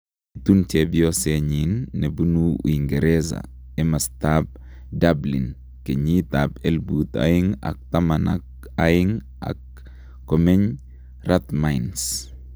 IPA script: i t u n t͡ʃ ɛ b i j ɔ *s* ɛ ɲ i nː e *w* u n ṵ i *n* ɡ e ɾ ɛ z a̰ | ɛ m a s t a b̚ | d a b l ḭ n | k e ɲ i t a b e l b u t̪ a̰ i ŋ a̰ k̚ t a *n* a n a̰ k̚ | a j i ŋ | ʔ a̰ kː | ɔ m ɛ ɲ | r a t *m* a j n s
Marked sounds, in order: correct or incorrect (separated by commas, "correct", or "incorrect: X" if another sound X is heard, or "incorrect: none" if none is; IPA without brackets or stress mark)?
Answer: correct, incorrect: b, incorrect: ŋ, incorrect: m, correct